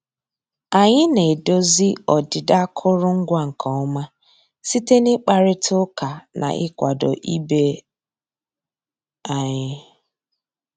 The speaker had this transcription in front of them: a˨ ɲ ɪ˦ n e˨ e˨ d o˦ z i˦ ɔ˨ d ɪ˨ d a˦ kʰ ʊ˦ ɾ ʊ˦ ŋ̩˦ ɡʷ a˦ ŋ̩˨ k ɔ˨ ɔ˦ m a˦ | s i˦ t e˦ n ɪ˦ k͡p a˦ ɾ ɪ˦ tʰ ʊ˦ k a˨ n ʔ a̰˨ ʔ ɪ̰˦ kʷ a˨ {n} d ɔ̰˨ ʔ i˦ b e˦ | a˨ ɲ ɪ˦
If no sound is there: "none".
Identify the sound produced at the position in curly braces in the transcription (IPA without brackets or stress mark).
none